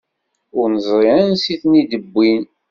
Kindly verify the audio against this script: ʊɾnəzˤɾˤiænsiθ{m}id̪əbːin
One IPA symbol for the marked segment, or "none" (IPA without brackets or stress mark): n